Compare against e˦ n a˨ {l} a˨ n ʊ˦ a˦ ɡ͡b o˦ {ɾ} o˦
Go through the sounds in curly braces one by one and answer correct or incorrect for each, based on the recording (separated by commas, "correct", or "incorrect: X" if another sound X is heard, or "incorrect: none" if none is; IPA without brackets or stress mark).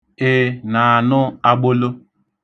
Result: incorrect: none, incorrect: l